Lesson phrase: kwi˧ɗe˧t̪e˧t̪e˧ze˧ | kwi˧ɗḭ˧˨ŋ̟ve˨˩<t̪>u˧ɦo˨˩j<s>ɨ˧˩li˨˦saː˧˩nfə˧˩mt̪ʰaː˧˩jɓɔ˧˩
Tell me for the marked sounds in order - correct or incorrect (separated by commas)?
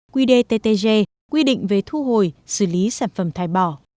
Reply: incorrect, correct